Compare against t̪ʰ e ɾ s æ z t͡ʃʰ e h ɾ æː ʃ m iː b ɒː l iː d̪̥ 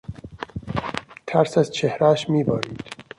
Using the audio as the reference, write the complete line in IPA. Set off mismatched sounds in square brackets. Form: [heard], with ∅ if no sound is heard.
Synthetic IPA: t̪ʰ [æ] ɾ s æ z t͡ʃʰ e h ɾ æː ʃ m iː b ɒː [ɾ] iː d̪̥